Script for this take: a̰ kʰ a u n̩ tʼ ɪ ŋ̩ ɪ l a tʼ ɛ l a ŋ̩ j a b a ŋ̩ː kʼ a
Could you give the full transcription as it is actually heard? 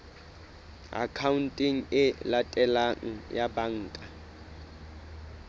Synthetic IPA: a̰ kʰ a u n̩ tʼ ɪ ŋ̩ ɪ l a tʼ ɛ l a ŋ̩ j a b a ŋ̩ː kʼ a